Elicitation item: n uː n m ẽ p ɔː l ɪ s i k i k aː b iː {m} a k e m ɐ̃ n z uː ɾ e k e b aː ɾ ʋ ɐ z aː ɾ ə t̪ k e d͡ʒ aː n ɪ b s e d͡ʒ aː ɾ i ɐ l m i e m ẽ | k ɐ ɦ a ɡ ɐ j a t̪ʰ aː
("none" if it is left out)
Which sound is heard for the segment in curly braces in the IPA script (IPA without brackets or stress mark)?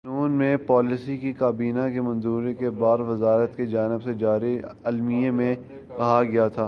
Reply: n